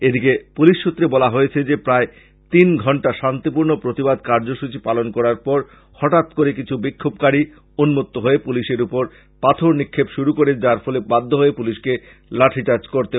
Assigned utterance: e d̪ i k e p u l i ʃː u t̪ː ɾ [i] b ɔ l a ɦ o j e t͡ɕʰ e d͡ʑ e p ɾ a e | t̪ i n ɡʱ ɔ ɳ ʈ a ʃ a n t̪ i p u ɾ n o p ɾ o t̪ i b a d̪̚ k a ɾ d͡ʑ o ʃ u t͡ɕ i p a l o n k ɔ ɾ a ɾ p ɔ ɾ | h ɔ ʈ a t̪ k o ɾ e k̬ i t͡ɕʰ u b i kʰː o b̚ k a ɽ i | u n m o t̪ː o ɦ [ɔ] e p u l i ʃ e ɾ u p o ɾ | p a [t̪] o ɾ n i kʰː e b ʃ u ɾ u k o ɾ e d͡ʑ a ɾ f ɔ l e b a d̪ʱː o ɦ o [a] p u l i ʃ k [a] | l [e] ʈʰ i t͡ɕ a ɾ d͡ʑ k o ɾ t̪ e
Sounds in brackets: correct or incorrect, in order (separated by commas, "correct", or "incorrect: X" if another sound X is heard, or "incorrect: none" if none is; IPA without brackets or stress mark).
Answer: incorrect: e, incorrect: o, incorrect: t̪ʰ, incorrect: e, incorrect: e, incorrect: a